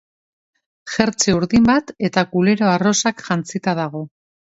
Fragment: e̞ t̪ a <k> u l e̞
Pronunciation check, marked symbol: correct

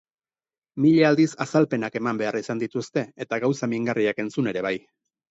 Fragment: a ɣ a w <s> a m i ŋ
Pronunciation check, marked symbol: correct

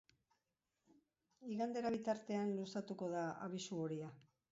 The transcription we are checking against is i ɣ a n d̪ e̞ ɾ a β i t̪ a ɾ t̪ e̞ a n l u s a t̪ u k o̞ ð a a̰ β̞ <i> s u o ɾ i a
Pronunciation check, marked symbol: correct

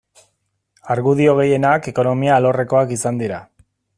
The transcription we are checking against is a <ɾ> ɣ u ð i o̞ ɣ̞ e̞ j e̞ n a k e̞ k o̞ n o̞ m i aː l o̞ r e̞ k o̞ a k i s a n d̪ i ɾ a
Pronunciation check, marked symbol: correct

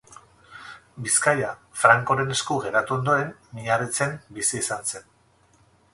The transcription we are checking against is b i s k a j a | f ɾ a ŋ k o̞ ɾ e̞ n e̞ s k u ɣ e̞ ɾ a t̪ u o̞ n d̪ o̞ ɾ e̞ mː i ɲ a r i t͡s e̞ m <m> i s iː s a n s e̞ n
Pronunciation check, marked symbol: incorrect: b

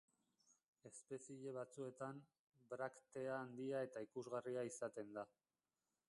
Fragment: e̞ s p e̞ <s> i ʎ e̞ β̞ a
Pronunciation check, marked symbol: correct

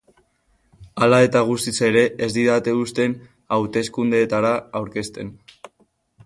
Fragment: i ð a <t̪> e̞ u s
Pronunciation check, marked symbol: correct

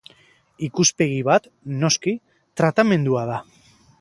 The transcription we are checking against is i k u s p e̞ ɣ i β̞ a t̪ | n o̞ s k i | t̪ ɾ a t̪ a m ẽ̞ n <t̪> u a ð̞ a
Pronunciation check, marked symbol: incorrect: d̪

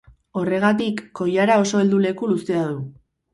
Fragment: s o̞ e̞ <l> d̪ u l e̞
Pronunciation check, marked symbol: correct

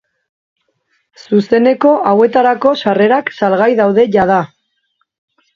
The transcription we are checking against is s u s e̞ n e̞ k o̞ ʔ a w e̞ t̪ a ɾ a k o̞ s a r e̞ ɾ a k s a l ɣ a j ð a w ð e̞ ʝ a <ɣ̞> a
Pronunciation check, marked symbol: incorrect: ð̞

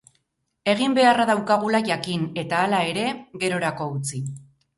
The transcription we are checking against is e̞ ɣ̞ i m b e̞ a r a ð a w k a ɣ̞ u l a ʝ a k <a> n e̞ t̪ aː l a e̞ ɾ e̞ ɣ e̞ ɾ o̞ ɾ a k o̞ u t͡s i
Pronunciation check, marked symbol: incorrect: i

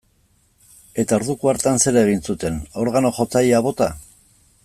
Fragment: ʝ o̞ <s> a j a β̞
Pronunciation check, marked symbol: incorrect: t͡s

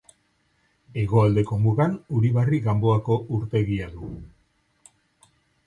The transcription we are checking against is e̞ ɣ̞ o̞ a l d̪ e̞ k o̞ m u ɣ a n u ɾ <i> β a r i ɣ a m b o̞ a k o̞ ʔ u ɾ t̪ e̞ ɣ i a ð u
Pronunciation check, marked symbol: correct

